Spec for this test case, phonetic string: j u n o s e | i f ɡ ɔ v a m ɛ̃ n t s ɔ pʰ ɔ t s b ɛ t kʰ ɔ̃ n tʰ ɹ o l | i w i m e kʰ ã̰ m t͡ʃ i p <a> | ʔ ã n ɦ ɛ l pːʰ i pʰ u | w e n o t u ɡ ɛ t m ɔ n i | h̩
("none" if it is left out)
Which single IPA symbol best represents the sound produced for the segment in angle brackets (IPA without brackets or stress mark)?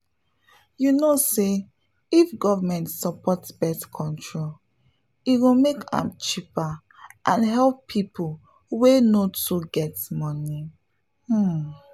a